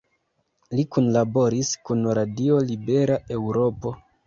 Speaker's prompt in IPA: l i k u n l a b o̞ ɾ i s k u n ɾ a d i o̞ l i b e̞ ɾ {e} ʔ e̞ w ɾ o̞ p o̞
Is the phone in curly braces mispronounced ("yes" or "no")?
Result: yes